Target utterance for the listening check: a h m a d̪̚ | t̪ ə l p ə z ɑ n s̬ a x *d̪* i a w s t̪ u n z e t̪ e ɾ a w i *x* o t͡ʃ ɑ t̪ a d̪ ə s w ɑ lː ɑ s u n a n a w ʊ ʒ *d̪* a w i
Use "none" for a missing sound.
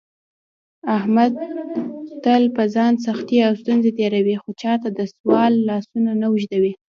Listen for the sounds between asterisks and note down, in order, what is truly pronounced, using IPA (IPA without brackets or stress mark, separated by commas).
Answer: t̪, x, d̪